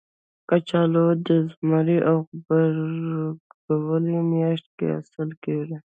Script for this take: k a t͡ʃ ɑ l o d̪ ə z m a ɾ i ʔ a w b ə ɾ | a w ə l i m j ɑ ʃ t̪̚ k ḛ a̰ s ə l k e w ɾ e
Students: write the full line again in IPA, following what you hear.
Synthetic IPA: k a t͡ʃ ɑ l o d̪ ə z m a ɾ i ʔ a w b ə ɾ | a w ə l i m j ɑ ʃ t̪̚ k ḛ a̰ s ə l k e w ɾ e